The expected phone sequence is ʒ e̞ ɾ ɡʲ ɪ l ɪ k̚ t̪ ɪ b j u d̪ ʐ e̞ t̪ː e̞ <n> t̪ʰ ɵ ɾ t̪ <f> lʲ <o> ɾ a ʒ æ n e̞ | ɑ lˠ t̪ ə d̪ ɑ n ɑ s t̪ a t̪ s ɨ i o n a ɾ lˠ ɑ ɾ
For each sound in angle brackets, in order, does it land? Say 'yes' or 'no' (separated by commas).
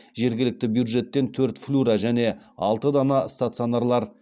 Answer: yes, yes, no